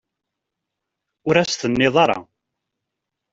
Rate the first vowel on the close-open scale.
close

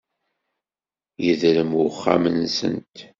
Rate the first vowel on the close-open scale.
mid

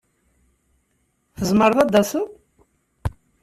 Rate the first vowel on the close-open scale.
mid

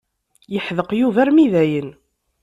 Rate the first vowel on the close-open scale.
mid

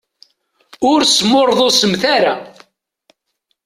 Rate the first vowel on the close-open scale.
close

